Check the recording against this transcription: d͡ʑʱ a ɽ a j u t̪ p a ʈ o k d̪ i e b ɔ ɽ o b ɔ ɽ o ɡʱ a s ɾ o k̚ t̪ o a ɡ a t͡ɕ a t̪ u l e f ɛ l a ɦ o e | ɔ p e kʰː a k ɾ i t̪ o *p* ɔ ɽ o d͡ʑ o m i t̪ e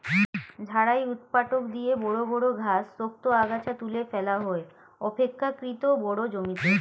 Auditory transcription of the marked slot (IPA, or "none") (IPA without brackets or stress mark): b